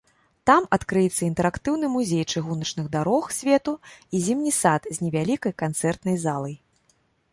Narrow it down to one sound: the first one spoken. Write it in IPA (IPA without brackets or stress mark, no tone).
t̪